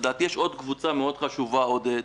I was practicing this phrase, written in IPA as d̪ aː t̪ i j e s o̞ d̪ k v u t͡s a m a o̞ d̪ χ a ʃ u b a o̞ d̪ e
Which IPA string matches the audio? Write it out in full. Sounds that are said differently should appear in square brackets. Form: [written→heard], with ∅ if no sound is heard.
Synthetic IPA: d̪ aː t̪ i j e [s→ʃ] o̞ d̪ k v u t͡s a m [a→e] o̞ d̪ χ a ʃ u [b→v] a o̞ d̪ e